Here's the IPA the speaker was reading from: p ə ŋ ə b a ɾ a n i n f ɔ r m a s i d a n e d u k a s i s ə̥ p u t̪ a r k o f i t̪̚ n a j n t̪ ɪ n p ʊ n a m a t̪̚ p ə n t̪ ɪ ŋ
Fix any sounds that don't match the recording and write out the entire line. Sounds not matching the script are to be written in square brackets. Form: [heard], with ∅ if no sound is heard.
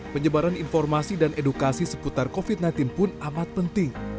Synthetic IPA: p ə [ɲ] ə b a ɾ a n i n f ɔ r m a s i d a n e d u k a s i s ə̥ p u t̪ a r k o f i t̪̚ n a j n t̪ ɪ n p ʊ n a m a t̪̚ p ə n t̪ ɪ ŋ